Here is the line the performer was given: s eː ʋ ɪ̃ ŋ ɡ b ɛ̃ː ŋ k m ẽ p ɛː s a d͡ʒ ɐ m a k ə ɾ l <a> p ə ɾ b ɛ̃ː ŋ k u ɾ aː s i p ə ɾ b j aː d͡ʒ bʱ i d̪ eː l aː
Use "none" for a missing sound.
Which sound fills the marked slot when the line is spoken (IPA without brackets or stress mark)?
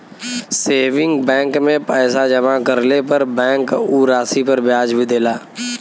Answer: e